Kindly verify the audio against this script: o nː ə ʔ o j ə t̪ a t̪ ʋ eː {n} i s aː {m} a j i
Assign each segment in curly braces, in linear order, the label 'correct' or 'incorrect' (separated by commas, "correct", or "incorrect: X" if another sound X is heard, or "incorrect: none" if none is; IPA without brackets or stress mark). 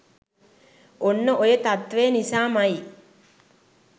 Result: correct, correct